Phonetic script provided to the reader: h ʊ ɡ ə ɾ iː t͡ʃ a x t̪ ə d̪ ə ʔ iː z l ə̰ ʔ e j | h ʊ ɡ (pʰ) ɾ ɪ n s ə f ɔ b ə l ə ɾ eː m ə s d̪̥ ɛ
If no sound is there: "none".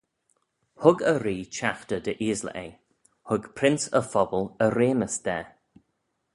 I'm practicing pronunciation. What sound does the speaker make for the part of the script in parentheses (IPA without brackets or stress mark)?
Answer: pʰ